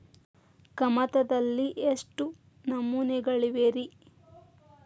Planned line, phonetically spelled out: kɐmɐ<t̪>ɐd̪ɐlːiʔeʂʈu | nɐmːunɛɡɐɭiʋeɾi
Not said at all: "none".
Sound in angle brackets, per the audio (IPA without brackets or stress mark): t̪